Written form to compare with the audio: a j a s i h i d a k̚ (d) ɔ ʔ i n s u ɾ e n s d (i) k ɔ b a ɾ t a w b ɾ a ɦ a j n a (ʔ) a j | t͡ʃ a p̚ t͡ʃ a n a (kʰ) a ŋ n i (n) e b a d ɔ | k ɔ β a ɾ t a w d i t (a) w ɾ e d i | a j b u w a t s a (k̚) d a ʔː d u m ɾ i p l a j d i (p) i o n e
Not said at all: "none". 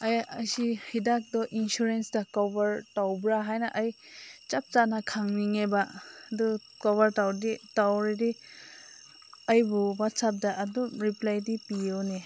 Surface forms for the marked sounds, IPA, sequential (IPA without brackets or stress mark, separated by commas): d, a, ʔ, kʰ, ŋ, a, p̚, p